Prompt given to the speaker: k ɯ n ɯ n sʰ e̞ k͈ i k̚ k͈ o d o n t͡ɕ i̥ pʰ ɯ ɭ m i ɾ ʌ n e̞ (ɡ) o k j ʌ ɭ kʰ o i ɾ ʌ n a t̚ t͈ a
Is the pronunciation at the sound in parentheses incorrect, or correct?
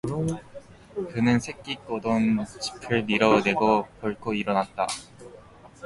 correct